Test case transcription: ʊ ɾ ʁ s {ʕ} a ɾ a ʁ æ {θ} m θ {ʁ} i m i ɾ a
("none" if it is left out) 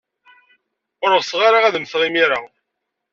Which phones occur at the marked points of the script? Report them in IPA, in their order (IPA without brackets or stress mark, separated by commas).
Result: ʁ, ð, ʁ